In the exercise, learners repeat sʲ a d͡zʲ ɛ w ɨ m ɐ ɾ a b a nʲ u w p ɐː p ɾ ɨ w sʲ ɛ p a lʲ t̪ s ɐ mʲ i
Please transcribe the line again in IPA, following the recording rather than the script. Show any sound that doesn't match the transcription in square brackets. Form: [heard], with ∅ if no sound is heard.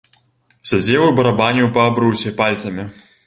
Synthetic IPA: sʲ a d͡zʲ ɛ w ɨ [b] ɐ ɾ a b a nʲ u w p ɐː [b] ɾ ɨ w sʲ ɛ p a lʲ t̪ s ɐ mʲ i